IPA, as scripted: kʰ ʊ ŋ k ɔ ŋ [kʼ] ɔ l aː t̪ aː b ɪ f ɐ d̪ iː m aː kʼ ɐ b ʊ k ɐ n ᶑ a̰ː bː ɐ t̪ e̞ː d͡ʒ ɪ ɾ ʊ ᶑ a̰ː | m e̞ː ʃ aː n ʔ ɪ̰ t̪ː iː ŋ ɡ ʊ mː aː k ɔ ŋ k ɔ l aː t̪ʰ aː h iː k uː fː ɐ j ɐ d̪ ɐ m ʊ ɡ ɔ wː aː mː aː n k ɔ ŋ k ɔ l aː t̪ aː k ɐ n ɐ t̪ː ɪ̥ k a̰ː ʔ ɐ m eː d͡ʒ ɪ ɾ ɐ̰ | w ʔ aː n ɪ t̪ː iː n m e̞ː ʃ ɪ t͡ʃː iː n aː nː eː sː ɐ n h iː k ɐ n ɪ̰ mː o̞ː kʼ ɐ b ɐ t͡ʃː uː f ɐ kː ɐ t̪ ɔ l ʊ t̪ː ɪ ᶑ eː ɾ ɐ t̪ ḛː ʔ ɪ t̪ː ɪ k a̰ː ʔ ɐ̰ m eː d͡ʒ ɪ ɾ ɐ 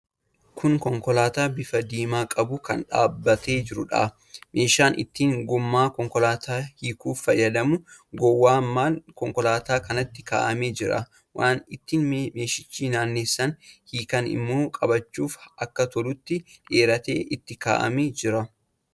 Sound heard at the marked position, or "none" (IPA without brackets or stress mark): k